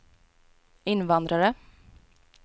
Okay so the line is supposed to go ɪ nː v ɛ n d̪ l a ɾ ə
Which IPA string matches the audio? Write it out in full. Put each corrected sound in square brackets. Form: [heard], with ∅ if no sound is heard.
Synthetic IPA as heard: ɪ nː v [a] n d̪ [ɾ] a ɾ ə